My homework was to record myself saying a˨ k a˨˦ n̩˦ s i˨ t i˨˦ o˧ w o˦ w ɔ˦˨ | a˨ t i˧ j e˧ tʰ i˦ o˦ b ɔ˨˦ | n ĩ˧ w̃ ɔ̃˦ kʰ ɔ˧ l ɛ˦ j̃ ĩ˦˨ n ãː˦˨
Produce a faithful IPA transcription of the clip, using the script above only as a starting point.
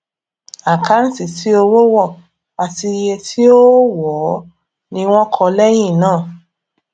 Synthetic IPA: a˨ k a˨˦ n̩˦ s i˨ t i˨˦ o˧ w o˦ w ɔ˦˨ | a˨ t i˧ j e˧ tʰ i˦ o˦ w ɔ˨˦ | n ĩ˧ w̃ ɔ̃˦ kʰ ɔ˧ l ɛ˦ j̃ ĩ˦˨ n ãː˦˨